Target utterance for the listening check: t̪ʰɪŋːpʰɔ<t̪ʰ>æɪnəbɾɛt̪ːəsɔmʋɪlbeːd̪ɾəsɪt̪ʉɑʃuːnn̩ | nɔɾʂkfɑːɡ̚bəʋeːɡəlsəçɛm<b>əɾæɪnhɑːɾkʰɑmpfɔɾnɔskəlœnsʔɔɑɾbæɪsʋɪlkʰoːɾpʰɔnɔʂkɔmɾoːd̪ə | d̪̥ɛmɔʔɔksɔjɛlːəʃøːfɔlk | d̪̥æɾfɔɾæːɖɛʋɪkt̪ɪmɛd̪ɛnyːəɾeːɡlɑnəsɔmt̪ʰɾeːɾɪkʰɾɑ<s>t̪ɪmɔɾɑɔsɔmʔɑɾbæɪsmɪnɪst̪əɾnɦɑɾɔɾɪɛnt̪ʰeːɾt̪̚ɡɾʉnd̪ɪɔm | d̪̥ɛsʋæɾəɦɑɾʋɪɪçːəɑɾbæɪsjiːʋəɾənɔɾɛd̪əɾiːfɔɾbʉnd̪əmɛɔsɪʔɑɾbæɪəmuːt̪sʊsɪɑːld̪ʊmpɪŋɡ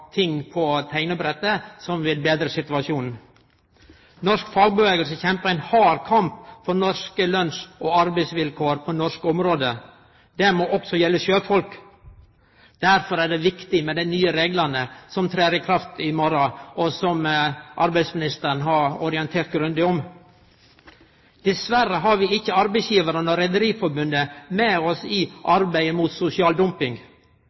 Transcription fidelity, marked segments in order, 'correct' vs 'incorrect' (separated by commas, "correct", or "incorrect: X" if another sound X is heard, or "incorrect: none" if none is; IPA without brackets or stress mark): correct, incorrect: p, incorrect: f